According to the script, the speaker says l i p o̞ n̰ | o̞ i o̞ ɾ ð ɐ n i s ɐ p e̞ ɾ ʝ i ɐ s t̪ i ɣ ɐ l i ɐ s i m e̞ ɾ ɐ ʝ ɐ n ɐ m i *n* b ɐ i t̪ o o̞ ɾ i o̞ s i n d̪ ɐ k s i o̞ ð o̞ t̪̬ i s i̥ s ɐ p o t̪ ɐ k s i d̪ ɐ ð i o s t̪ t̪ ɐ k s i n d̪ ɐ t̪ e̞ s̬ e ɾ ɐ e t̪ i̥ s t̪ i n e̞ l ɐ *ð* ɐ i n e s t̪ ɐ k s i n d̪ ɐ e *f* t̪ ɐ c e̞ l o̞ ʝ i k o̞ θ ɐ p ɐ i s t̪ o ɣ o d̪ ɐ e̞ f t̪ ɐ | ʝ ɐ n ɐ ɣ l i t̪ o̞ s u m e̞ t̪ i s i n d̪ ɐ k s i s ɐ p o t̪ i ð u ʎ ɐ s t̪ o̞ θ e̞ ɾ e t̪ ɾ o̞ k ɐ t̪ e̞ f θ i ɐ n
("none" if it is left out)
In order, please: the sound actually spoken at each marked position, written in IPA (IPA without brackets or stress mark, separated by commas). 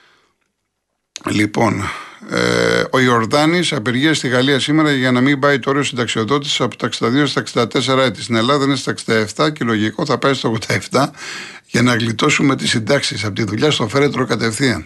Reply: m, ð, f